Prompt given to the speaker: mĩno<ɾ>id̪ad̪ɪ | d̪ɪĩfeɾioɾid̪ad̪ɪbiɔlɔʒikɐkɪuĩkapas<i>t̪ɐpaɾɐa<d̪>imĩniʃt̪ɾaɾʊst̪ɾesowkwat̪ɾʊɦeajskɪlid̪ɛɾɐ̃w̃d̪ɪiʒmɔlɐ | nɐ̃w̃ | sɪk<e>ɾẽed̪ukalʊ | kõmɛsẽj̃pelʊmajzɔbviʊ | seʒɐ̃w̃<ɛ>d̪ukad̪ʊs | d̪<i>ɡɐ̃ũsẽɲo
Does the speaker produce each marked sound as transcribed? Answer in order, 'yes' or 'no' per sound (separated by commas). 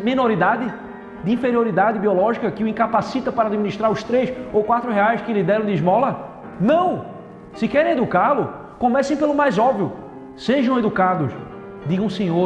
yes, yes, yes, no, no, yes